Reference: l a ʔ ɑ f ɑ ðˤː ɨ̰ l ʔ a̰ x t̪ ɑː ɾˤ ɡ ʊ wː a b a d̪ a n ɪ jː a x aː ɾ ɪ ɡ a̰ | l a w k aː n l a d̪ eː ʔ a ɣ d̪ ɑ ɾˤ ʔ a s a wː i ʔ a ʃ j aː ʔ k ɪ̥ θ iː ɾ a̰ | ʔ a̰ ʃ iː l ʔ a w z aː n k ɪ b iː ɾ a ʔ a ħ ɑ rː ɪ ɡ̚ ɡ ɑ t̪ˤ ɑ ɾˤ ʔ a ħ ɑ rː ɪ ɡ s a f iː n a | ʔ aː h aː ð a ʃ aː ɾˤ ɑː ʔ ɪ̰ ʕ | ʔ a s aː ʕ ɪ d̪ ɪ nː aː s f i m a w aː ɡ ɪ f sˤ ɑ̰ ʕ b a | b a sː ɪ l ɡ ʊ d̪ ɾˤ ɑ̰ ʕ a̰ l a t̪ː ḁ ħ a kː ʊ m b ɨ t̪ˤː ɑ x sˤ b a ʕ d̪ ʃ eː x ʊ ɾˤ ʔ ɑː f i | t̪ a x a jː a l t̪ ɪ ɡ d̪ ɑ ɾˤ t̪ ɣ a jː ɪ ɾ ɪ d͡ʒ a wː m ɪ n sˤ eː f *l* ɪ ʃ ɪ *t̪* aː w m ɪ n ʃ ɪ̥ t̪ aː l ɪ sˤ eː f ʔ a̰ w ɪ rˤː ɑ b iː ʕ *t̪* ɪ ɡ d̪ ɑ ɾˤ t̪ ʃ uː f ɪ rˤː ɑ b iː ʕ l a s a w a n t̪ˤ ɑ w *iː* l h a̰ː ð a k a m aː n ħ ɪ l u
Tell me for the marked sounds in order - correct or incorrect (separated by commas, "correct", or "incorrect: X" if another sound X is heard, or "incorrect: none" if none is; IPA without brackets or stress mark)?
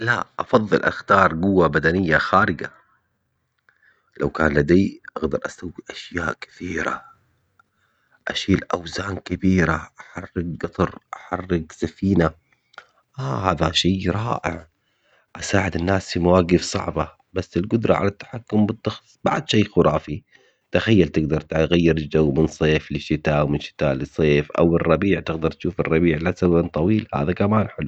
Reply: correct, correct, correct, correct